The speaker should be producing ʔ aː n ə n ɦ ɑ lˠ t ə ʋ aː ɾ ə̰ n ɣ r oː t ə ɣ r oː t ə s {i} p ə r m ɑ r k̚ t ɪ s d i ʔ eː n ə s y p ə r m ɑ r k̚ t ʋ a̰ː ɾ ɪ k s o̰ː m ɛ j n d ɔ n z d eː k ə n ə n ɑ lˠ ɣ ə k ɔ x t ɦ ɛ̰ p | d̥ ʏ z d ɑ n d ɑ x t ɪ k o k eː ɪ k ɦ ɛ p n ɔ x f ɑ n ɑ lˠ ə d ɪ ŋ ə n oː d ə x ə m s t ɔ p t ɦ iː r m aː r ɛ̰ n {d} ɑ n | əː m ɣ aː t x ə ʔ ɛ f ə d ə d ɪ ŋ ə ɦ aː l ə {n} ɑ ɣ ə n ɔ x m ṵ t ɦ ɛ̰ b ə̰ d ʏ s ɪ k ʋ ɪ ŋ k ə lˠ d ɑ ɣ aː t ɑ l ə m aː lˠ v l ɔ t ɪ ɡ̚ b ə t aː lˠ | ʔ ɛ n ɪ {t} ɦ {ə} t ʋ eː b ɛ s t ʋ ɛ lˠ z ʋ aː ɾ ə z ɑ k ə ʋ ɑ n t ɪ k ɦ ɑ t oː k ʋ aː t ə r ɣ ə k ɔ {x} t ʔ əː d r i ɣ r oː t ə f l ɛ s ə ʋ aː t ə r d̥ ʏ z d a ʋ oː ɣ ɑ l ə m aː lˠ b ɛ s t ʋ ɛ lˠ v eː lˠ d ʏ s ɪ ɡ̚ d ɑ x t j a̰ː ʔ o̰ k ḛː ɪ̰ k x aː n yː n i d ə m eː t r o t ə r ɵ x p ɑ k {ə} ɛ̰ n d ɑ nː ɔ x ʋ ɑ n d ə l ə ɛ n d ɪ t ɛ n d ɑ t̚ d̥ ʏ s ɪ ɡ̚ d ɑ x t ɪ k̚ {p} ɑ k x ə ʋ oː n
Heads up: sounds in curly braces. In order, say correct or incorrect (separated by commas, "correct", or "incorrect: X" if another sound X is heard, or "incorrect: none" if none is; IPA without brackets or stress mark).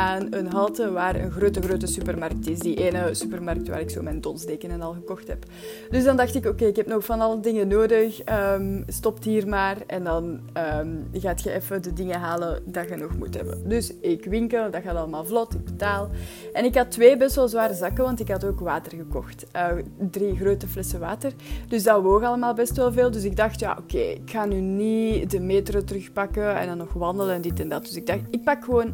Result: incorrect: y, correct, incorrect: d, incorrect: k, incorrect: ɑ, correct, correct, correct